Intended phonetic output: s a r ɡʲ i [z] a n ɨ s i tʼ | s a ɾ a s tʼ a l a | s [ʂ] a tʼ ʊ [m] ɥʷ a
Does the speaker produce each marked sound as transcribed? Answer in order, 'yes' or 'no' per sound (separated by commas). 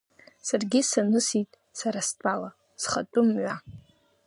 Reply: no, no, yes